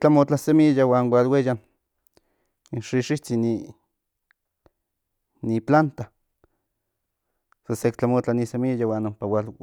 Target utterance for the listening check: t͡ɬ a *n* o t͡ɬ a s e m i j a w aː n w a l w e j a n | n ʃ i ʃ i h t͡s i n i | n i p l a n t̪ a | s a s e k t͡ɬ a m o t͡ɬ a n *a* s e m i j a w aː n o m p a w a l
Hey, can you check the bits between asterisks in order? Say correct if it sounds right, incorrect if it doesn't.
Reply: incorrect: m, incorrect: i

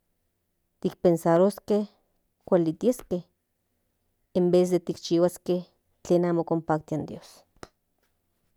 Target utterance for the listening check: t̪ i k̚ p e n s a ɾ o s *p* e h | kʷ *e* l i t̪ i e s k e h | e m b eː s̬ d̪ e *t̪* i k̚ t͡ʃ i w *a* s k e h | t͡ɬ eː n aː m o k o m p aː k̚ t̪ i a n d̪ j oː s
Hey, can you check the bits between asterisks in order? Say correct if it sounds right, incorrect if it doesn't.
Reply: incorrect: k, incorrect: a, correct, correct

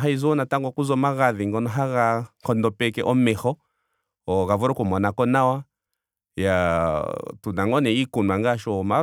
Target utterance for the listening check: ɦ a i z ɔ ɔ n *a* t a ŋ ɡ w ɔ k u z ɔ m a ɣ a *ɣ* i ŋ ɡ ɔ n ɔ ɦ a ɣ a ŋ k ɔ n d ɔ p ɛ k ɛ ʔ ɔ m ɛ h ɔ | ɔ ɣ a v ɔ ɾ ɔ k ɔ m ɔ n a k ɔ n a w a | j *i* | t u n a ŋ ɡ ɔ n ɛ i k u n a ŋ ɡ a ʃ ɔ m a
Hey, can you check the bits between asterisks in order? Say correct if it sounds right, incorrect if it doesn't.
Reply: correct, incorrect: ð, incorrect: a

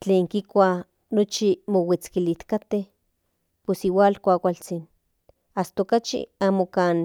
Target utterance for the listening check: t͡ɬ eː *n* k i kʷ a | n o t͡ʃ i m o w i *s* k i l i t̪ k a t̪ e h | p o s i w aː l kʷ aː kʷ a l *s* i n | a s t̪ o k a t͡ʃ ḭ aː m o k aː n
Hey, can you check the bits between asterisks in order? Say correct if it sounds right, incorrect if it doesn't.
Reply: incorrect: ŋ, incorrect: t͡s, incorrect: t͡s

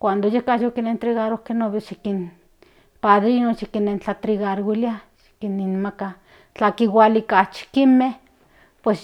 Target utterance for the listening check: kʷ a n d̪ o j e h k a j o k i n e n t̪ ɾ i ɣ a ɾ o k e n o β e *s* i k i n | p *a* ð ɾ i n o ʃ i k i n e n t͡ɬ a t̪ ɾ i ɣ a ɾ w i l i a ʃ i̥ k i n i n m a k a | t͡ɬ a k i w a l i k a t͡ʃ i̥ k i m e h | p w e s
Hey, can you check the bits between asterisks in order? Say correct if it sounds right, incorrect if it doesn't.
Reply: incorrect: ʃ, correct

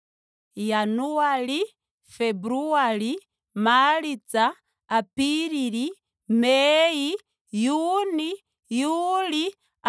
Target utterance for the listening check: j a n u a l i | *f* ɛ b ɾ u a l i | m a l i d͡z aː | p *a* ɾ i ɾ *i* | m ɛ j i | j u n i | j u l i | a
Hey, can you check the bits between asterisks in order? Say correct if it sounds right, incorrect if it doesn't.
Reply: correct, incorrect: i, correct

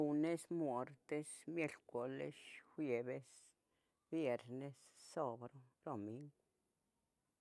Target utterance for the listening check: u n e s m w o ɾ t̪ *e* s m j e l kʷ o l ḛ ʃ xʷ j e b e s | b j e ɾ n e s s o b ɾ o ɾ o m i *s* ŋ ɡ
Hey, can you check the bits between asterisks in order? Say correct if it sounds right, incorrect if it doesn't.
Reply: correct, incorrect: none

